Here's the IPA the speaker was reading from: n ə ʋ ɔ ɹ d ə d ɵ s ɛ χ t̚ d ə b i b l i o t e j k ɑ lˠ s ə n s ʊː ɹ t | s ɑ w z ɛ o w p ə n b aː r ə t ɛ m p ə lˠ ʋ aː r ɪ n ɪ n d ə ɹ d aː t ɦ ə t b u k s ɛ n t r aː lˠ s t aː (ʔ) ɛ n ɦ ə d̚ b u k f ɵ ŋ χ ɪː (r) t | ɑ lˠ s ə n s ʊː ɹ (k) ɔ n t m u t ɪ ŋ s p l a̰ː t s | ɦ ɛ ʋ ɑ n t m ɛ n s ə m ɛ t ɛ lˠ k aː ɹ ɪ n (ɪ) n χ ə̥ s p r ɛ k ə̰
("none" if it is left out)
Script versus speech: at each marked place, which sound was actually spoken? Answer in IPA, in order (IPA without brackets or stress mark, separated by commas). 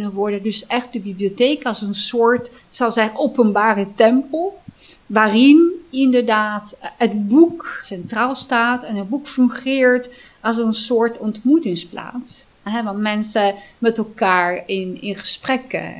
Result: t, ɹ, t, ɪ